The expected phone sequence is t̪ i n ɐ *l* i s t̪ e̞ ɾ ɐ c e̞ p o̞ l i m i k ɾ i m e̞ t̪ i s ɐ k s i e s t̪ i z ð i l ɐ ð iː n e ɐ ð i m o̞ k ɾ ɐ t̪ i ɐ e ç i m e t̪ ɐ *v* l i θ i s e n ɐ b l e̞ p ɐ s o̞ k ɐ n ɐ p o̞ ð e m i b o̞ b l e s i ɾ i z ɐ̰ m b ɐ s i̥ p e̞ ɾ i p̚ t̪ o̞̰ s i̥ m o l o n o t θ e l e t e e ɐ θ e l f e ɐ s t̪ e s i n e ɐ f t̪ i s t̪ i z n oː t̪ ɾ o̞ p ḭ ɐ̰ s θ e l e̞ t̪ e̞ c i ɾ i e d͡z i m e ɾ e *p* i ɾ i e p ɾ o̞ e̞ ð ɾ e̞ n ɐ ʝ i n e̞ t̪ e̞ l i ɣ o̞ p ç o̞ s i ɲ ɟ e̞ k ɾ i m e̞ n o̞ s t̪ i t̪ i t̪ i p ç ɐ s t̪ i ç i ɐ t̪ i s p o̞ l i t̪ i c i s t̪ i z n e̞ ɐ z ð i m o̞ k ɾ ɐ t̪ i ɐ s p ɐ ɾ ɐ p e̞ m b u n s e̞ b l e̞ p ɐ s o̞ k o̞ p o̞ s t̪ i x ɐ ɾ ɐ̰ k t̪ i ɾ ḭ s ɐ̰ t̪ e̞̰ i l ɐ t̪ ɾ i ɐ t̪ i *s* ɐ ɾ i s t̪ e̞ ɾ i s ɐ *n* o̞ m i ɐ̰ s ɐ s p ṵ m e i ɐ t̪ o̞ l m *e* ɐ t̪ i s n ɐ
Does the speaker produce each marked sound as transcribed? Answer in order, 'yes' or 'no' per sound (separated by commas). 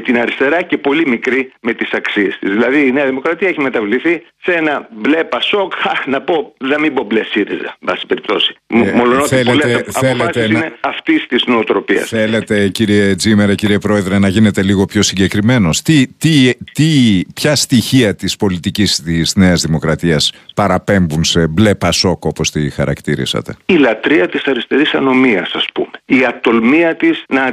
no, yes, no, yes, yes, no